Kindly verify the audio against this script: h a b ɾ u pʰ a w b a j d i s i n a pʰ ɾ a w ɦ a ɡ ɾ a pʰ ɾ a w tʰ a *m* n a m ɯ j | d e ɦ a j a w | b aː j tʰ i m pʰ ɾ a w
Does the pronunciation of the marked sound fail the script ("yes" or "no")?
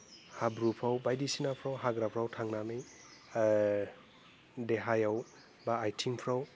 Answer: yes